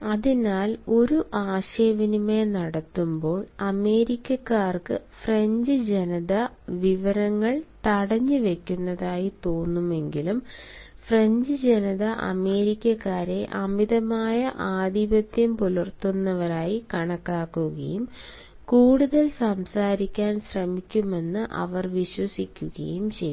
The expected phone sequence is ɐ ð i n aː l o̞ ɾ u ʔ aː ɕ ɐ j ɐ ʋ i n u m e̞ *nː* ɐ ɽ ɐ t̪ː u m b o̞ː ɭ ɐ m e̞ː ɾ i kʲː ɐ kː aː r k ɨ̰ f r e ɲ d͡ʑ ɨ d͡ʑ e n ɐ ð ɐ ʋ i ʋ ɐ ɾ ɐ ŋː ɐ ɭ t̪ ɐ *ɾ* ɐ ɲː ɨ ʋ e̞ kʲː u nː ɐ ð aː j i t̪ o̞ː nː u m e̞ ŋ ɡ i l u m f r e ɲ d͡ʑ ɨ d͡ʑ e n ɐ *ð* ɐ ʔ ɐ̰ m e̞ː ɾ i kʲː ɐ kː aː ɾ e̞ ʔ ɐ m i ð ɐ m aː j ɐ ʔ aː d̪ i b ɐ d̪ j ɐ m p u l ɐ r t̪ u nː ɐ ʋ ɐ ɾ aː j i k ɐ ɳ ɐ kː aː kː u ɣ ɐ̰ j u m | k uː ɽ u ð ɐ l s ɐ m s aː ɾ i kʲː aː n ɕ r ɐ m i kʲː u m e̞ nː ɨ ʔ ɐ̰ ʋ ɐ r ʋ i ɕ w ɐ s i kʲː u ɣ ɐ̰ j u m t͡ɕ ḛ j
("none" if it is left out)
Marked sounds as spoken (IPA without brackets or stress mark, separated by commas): n, ɽ, ð